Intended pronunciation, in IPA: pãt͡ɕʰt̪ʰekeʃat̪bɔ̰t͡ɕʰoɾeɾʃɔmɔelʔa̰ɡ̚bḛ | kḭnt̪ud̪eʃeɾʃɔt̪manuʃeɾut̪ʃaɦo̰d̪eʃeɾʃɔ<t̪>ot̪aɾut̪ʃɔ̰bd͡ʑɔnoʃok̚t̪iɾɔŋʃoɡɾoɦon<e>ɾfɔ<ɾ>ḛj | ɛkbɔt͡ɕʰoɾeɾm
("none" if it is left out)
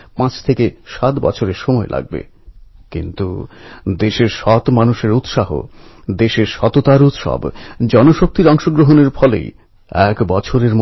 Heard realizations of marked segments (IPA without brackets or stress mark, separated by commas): t̪, e, l